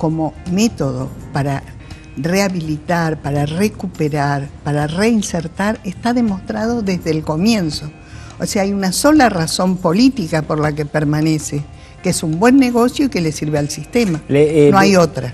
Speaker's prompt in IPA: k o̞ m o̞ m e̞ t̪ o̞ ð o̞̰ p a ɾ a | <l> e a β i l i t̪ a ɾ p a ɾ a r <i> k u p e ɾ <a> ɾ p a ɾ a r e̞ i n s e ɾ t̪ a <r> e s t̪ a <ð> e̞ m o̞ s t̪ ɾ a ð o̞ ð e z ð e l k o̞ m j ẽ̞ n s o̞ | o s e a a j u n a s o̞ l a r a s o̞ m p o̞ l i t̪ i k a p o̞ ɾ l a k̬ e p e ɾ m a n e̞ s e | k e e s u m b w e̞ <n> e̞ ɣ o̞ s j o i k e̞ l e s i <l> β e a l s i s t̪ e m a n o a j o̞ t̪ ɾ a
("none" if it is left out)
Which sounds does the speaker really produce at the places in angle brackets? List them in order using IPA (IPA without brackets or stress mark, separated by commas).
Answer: r, e, a, ɾ, ð, nː, ɾ